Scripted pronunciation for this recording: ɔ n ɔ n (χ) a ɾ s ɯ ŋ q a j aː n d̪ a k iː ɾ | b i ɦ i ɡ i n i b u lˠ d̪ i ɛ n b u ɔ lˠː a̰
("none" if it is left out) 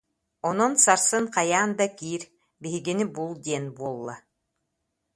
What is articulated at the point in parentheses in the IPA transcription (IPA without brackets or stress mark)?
s